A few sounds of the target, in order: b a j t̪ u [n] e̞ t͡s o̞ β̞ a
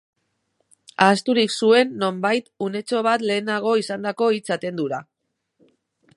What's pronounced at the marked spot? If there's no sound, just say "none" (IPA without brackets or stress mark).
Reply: n